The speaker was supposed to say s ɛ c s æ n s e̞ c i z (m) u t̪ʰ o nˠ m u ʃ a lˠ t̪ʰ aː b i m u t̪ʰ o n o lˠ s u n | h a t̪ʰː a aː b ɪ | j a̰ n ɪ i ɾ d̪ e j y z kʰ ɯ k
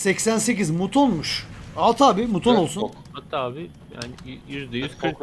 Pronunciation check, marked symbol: correct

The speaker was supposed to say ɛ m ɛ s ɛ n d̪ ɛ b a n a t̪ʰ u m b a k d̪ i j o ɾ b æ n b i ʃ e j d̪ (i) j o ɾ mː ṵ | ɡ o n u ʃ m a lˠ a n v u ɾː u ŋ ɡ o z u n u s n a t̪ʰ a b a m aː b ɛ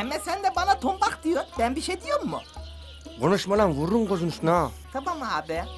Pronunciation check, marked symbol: correct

